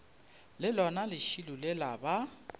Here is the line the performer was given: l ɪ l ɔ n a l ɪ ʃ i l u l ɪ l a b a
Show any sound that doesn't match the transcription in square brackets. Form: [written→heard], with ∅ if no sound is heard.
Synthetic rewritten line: l ɪ l ɔ n a l ɪ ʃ i l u l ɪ l a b a

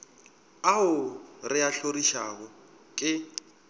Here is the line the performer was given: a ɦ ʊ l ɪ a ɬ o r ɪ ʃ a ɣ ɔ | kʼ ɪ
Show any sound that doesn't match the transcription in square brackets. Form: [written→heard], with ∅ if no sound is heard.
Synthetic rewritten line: a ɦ ʊ [l→r] ɪ a ɬ o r [ɪ→i] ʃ a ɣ ɔ | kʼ ɪ

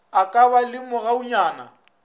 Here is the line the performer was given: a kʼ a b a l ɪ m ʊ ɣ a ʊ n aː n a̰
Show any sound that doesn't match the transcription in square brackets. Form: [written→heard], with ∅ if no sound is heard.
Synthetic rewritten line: a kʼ a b a l ɪ m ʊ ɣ a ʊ [n→ɲ] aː n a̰

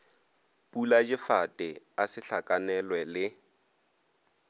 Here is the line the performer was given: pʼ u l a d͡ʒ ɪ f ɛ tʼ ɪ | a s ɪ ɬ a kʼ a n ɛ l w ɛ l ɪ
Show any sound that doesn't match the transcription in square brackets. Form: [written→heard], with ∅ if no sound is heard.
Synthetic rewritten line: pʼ u l a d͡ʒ ɪ f [ɛ→a] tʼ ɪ | a s ɪ ɬ a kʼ a n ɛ l w ɛ l ɪ

